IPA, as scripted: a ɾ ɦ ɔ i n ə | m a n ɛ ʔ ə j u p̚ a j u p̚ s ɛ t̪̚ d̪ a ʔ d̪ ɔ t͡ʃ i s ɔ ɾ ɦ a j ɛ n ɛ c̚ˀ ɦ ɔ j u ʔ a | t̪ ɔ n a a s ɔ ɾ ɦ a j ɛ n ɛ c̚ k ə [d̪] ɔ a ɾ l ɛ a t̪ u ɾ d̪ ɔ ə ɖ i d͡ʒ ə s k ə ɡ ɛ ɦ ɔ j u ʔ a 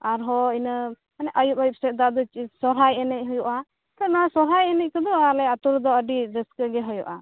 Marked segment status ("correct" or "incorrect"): correct